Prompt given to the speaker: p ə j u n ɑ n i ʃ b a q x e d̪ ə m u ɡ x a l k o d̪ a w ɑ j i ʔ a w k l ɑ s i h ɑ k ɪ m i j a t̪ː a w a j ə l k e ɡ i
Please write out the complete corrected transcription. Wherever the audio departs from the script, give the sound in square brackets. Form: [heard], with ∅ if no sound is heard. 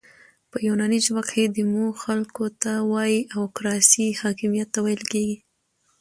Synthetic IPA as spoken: p ə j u n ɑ n i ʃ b a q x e d̪ ə m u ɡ x a l k o [t̪] a w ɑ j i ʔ a w k [ɾ] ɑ s i h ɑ k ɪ m i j a t̪ː a w a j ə l k e ɡ i